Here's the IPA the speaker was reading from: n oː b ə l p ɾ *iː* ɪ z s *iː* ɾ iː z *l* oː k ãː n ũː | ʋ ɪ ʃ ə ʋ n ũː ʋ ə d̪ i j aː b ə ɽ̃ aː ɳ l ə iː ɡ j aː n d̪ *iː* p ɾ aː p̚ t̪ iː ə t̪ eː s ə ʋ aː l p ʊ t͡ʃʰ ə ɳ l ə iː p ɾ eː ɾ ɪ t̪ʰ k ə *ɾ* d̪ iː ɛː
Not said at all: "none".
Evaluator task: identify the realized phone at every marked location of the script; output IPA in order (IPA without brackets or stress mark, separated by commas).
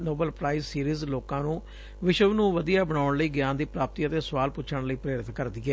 aː, iː, l, iː, ɾ